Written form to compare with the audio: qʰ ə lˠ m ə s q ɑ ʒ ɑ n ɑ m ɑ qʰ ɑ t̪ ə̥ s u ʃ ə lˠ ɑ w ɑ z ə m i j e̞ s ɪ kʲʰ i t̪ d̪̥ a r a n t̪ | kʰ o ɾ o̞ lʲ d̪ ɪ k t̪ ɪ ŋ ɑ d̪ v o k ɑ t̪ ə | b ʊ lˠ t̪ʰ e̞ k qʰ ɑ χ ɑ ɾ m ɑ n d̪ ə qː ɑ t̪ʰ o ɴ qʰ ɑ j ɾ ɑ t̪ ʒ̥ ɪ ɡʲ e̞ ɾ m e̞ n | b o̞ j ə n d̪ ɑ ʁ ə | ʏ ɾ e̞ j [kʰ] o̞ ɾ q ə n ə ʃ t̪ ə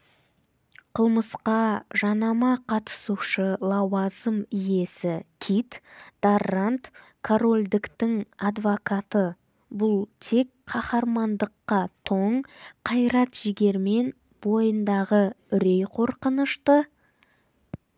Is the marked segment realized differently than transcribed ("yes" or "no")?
yes